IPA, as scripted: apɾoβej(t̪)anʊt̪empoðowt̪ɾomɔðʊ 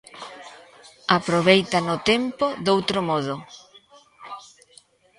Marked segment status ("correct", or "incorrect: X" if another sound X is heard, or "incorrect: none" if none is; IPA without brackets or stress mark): correct